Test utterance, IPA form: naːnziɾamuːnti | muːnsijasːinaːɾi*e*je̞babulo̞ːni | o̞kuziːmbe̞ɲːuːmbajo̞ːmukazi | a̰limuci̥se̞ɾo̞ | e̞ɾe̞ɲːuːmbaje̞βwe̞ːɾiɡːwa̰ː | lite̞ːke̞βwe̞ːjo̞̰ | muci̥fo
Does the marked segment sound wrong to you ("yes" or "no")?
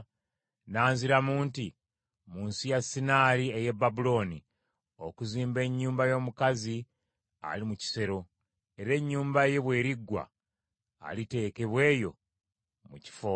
no